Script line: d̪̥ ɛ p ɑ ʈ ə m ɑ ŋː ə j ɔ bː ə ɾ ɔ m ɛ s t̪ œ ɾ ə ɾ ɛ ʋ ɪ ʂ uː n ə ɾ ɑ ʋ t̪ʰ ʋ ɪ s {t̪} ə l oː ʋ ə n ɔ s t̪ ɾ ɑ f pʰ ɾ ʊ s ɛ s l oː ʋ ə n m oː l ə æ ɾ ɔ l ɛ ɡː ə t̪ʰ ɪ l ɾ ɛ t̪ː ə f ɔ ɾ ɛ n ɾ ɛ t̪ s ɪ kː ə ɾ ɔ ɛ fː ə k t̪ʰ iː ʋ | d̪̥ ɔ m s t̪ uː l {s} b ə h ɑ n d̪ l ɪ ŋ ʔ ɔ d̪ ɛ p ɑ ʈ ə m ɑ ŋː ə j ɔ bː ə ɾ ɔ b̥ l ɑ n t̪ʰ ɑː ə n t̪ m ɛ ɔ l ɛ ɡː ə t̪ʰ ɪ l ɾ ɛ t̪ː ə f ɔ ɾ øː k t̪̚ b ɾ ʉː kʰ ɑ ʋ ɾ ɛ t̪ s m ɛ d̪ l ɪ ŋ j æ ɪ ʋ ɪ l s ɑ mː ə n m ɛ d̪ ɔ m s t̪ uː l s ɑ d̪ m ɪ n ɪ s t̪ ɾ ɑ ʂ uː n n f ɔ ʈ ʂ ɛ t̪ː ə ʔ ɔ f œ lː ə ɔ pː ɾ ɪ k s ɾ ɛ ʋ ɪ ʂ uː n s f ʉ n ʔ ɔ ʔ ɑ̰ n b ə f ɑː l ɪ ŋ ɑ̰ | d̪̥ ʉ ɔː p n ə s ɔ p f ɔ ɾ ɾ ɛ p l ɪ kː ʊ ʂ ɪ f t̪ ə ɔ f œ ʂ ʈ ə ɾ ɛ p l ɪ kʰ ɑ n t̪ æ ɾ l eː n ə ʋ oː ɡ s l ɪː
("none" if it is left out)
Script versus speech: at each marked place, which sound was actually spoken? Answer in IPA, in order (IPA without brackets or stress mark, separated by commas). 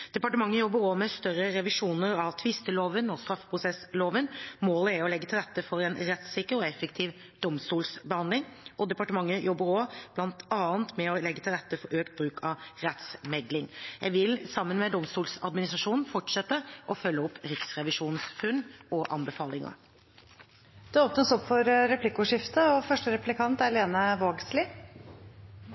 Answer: t̪, s